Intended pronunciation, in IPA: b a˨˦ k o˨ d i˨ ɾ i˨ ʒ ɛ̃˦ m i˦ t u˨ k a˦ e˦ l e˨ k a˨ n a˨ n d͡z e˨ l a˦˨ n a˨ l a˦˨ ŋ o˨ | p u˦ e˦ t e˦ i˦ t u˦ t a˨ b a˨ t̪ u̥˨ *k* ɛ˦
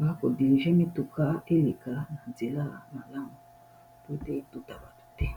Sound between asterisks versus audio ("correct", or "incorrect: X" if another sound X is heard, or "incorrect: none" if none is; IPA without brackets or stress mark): incorrect: t